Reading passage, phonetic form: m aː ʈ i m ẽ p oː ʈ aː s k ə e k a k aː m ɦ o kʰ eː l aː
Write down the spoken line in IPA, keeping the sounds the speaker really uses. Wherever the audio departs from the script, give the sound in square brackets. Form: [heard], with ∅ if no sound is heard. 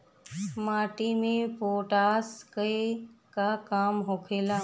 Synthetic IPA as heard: m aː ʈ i m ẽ p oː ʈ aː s k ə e k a k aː m ɦ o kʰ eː l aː